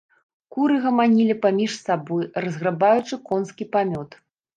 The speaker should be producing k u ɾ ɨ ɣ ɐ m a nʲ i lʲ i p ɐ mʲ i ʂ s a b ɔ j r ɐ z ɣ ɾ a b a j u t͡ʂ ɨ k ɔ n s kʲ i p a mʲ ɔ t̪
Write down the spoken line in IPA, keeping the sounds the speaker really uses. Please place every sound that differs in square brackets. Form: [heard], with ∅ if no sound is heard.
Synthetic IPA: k u ɾ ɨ ɣ ɐ m a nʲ i lʲ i p [a] mʲ i ʂ s a b ɔ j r ɐ z ɣ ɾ a b a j u t͡ʂ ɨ k ɔ n s kʲ i p a mʲ ɔ t̪